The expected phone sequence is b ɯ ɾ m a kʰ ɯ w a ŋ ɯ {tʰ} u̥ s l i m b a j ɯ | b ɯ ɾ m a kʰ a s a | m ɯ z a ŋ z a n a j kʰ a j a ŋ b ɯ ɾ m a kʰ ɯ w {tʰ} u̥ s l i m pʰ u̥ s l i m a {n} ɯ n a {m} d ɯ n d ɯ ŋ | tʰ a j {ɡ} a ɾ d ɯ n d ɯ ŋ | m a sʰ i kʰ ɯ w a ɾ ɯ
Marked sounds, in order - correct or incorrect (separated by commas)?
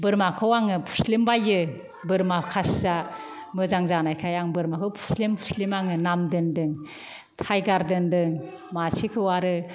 incorrect, incorrect, incorrect, correct, correct